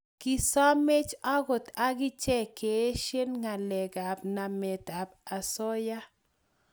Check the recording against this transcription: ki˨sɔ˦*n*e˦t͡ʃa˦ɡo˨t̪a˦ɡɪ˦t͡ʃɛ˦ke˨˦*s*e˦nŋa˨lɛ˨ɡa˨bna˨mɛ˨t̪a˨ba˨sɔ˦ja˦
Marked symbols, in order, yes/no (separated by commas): no, no